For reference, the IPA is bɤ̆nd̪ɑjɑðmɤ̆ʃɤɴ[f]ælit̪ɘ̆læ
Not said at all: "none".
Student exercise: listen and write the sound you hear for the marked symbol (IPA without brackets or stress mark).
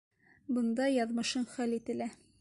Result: χ